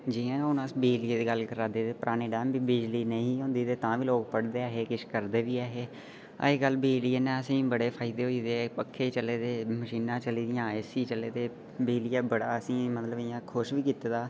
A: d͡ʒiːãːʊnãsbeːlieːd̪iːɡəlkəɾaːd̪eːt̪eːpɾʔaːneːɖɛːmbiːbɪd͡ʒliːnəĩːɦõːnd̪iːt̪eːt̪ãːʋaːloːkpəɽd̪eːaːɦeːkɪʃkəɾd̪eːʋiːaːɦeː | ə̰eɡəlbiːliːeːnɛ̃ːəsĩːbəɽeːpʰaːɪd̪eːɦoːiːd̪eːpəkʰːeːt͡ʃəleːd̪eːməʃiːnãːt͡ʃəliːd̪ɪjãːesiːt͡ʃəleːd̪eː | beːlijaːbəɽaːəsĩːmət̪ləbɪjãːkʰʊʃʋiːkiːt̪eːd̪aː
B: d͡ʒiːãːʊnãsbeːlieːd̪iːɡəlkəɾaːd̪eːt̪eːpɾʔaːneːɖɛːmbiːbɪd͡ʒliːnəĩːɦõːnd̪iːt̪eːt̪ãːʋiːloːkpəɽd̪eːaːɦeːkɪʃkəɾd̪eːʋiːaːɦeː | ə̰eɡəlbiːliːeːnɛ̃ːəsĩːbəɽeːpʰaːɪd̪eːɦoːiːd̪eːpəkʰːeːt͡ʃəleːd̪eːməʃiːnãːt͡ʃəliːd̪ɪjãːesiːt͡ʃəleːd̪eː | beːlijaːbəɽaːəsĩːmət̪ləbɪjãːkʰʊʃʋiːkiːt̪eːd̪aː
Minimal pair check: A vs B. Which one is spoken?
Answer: B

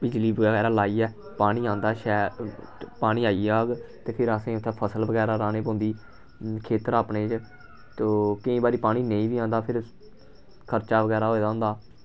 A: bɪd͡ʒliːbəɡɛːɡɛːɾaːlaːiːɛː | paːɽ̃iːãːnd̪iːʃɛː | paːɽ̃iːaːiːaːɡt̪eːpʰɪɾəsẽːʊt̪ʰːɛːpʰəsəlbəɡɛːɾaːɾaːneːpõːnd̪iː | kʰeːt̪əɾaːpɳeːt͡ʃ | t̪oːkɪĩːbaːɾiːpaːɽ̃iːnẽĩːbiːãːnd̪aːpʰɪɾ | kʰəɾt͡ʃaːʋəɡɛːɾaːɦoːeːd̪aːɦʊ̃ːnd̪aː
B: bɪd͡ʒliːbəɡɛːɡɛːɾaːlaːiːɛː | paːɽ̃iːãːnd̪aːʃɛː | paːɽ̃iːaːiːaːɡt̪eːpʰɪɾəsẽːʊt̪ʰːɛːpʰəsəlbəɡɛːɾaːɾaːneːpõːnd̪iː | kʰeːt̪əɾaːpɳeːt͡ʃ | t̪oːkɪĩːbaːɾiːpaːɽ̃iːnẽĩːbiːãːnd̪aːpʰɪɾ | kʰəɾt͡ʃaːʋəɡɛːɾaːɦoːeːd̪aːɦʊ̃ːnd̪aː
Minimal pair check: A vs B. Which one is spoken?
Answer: B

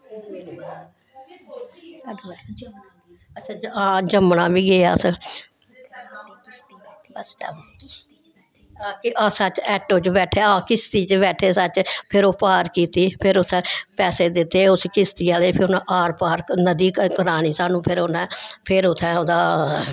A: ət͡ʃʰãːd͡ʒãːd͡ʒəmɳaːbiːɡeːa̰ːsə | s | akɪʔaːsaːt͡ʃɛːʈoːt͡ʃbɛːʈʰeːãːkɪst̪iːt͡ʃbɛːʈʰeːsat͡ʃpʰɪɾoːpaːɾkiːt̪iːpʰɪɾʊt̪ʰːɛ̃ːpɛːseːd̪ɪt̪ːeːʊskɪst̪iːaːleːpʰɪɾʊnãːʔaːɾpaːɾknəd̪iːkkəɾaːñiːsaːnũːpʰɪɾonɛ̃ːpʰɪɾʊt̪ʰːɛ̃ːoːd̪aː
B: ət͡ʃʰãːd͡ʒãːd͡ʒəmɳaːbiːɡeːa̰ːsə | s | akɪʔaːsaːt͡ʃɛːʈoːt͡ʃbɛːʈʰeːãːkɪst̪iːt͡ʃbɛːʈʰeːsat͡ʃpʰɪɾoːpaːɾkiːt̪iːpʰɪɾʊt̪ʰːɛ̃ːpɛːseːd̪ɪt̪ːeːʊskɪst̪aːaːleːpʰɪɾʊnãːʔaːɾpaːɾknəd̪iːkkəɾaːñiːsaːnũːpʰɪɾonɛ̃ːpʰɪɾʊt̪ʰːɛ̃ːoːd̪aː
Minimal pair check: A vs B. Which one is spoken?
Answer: A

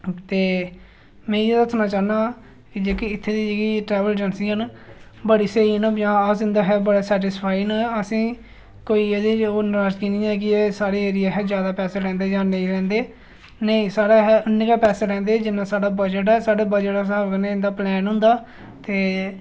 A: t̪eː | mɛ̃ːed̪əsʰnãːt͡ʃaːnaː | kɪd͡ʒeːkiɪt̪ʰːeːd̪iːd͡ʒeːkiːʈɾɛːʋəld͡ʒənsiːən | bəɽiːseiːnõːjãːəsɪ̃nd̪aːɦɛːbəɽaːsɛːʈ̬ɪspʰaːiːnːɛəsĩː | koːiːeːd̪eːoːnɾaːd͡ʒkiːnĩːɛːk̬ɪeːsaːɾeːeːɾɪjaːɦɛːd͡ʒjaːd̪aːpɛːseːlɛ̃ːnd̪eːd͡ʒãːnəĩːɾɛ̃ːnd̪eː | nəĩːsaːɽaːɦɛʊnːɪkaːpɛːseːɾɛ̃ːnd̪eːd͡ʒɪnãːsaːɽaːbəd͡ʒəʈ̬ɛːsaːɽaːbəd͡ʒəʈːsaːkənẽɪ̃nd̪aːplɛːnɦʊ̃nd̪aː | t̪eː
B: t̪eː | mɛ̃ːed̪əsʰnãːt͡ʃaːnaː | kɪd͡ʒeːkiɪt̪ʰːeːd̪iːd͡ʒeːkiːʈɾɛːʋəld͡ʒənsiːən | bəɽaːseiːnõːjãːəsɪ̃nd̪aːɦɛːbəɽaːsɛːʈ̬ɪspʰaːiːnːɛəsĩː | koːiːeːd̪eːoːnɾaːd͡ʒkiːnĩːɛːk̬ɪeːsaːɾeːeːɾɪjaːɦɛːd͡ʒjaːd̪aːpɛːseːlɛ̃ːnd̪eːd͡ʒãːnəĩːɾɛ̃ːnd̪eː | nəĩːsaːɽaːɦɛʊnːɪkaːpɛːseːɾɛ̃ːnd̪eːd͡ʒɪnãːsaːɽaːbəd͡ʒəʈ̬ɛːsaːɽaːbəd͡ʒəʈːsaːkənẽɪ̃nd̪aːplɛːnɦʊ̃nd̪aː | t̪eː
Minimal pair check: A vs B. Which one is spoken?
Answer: A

